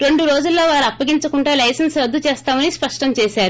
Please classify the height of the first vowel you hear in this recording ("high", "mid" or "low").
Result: mid